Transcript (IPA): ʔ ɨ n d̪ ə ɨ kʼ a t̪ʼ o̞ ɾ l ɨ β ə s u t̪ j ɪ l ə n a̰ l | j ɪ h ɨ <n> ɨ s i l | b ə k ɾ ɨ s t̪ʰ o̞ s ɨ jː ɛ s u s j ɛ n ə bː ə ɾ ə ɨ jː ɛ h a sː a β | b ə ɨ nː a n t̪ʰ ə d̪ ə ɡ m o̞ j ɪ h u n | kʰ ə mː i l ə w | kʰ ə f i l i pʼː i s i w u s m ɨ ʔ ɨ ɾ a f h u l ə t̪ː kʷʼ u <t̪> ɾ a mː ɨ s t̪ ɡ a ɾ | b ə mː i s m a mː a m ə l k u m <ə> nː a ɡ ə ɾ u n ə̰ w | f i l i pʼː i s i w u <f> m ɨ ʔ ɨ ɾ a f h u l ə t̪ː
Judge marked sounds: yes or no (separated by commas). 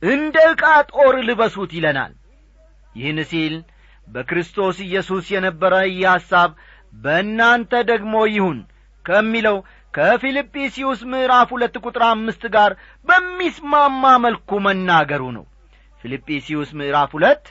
yes, no, yes, no